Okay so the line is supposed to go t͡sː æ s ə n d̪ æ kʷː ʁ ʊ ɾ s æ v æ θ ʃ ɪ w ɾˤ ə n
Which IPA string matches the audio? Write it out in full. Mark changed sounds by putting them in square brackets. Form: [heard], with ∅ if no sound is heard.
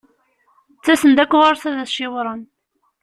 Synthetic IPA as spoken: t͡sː æ s ə n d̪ æ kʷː ʁ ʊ ɾ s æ [ð] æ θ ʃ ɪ w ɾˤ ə n